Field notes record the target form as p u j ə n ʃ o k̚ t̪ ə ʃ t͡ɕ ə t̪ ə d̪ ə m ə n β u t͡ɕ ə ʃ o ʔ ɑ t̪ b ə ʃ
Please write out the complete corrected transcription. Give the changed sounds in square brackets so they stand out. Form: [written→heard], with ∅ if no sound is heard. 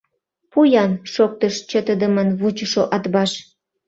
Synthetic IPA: p u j [ə→ɑ] n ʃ o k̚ t̪ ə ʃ t͡ɕ ə t̪ ə d̪ ə m ə n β u t͡ɕ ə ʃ o ʔ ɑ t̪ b [ə→ɑ] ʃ

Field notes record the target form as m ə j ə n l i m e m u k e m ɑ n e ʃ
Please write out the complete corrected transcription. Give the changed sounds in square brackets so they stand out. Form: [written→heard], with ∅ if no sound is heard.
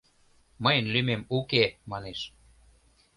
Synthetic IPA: m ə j ə n l [i→y] m e m u k e m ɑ n e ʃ

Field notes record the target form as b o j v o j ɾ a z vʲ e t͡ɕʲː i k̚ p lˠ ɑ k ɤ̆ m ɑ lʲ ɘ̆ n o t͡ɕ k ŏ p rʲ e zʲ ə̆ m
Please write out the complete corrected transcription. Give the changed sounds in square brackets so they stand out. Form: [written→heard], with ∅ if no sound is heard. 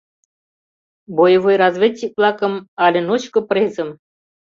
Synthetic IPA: b o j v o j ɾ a z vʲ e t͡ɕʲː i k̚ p lˠ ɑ k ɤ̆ m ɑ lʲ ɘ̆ n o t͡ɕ k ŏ p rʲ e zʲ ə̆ m

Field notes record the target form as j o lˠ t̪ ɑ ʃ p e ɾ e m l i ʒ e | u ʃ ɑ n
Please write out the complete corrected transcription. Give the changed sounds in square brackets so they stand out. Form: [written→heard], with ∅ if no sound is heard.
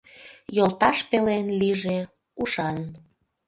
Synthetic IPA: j o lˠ t̪ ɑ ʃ p e [ɾ→l] e [m→n] l i ʒ e | u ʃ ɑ n

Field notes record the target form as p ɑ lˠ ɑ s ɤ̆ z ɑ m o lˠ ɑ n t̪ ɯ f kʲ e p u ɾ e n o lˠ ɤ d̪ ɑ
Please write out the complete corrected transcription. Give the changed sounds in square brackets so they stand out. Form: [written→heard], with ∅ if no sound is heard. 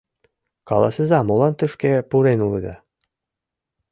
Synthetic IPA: [p→k] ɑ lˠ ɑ s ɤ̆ z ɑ m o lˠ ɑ n t̪ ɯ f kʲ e p u ɾ e n [o→u] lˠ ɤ d̪ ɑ

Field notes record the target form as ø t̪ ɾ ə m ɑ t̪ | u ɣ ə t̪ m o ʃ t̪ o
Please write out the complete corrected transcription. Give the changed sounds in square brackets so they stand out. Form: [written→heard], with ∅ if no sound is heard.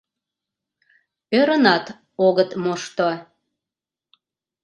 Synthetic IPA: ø [t̪→∅] ɾ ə [m→n] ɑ t̪ | [u→o] ɣ ə t̪ m o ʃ t̪ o

